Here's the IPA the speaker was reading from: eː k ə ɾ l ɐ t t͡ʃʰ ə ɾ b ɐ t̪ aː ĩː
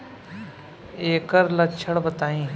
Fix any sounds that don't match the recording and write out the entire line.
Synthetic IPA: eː k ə ɾ l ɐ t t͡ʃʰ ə ɽ b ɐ t̪ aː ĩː